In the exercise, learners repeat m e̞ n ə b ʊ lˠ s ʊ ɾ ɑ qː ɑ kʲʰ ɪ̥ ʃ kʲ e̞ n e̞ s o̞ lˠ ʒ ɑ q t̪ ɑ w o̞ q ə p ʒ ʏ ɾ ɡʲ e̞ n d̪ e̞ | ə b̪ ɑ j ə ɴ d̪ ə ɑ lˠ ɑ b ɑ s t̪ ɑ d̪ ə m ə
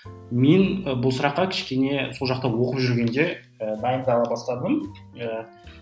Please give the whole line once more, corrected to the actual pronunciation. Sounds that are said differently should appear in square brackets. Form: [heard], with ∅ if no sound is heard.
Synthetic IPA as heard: m e̞ n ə b ʊ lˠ s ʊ ɾ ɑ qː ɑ kʲʰ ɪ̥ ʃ kʲ e̞ n e̞ s o̞ lˠ ʒ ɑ q t̪ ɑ w o̞ q ə p ʒ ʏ ɾ ɡʲ e̞ n d̪ e̞ | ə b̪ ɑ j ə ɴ d̪ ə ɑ lˠ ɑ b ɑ s t̪ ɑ d̪ ə m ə